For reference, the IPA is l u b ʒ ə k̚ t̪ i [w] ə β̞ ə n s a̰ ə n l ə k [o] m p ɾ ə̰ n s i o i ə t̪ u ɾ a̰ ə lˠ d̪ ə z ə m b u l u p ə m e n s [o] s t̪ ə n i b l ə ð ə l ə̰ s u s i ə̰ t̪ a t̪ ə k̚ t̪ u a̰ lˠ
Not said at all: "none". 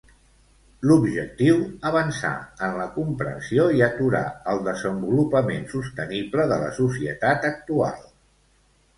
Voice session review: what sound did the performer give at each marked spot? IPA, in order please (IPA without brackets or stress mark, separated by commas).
w, u, u